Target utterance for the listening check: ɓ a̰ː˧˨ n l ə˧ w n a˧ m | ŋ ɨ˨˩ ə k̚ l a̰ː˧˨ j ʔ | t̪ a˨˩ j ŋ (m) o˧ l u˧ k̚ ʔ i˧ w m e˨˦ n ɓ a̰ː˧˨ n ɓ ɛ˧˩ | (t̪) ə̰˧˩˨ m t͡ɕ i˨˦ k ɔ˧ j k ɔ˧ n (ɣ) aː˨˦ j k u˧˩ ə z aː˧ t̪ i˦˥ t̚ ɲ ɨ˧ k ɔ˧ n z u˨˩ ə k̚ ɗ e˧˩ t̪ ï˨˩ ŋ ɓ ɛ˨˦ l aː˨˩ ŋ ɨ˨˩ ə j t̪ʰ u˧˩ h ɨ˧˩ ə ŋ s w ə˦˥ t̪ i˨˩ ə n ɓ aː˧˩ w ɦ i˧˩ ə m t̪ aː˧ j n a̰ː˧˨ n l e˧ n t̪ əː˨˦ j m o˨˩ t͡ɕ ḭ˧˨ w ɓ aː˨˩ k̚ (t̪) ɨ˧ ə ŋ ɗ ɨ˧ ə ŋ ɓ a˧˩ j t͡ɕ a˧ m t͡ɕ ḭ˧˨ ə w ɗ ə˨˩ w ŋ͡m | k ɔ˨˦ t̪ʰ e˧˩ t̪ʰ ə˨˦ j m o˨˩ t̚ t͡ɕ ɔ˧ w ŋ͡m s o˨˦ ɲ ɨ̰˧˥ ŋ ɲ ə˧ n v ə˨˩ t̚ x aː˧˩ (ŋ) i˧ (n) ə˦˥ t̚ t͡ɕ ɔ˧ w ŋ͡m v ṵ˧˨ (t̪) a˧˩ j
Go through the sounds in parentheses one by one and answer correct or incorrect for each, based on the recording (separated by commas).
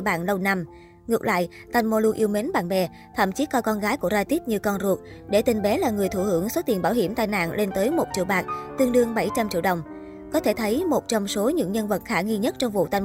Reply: correct, incorrect, correct, correct, correct, incorrect, correct